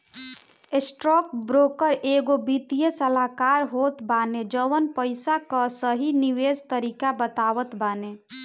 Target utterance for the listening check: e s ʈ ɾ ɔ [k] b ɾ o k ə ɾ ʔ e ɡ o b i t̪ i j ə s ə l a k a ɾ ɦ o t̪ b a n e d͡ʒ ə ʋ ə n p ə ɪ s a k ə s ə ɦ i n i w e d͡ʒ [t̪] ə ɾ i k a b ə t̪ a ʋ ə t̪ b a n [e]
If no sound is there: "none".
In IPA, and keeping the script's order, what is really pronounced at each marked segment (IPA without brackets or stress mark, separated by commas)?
k, t̪, e